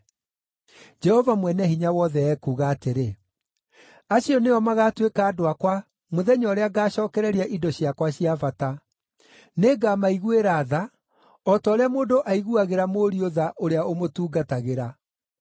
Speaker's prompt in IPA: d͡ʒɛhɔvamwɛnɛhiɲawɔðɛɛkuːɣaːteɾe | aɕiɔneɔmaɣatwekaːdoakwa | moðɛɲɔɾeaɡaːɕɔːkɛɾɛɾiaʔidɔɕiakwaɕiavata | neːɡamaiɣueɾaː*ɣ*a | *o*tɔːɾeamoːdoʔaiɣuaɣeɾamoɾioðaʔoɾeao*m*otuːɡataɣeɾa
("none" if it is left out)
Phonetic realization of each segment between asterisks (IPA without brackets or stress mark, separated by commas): ð, ɔ, m